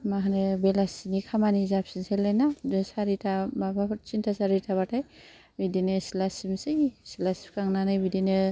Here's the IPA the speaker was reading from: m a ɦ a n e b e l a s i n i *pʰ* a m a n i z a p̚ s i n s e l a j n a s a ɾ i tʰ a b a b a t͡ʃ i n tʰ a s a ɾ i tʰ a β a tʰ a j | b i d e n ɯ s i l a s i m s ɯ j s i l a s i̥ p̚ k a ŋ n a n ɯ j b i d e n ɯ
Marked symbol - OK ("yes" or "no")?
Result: no